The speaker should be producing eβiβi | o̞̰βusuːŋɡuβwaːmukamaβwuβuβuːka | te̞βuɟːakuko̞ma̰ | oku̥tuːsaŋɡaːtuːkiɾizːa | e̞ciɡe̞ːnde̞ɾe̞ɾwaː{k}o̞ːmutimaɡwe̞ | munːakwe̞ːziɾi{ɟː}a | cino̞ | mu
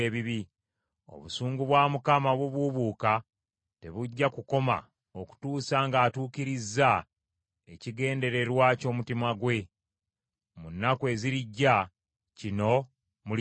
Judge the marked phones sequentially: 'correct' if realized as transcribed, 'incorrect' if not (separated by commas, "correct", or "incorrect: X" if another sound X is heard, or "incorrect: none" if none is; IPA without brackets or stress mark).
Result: incorrect: c, correct